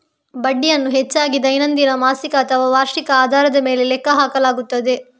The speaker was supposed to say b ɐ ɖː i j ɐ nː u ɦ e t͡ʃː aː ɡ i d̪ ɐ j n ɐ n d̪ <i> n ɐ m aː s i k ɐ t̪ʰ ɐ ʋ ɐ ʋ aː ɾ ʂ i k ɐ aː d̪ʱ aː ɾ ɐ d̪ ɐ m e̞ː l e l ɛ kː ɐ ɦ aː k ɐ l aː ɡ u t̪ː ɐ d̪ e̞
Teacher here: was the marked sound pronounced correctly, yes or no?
yes